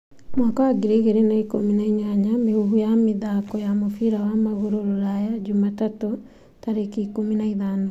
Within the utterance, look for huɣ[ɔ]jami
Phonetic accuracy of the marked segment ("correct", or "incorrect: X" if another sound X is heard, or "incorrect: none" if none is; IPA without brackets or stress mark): incorrect: u